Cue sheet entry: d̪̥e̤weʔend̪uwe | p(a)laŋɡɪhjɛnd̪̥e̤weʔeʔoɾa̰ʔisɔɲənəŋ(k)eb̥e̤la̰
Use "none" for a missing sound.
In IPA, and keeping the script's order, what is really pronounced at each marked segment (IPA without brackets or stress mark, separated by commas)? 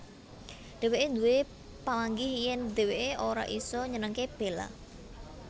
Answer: a, k